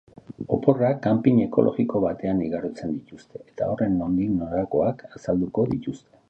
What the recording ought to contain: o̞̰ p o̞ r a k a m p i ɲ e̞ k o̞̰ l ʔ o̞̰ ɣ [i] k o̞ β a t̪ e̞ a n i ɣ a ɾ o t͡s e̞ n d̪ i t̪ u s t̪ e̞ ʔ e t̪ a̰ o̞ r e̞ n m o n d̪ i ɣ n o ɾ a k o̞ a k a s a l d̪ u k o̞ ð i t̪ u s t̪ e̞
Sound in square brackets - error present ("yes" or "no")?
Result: no